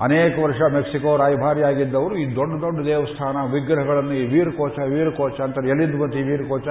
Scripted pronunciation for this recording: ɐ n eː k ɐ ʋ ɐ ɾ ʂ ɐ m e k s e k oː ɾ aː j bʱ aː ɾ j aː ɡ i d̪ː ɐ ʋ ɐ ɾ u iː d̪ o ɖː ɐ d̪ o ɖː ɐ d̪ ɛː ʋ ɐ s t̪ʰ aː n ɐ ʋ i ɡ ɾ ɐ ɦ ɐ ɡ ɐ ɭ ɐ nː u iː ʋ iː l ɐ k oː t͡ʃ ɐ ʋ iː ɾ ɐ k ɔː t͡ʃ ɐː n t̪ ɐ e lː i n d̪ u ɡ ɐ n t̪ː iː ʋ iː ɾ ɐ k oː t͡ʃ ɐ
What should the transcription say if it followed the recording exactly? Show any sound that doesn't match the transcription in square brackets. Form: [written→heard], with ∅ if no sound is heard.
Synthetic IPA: ɐ n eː k ɐ ʋ ɐ ɾ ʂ ɐ m e k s [e→i] k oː ɾ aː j bʱ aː ɾ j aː ɡ i d̪ː ɐ ʋ ɐ ɾ u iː d̪ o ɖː ɐ d̪ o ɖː ɐ d̪ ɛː ʋ ɐ s t̪ʰ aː n ɐ ʋ i ɡ ɾ ɐ ɦ ɐ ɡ ɐ ɭ ɐ nː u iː ʋ iː [l→ɾ] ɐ k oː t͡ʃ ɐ ʋ iː ɾ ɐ k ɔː t͡ʃ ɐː n t̪ ɐ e lː i n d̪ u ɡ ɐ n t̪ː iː ʋ iː ɾ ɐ k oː t͡ʃ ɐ